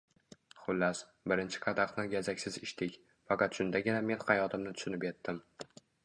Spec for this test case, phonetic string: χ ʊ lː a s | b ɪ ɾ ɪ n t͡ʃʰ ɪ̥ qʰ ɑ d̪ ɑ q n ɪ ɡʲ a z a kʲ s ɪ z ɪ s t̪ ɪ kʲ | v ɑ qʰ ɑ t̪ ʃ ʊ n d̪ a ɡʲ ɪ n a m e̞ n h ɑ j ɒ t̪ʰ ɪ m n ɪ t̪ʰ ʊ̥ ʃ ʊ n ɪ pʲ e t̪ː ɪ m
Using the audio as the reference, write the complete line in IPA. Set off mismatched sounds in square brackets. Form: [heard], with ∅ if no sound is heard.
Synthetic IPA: χ ʊ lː a s | b ɪ ɾ ɪ n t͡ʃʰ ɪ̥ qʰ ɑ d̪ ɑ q n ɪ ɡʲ a z a kʲ s ɪ z ɪ [ʃ] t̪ ɪ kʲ | [f] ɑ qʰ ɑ t̪ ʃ ʊ n d̪ a ɡʲ ɪ n a m e̞ n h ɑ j ɒ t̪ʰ ɪ m n ɪ t̪ʰ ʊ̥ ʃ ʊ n ɪ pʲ e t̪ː ɪ m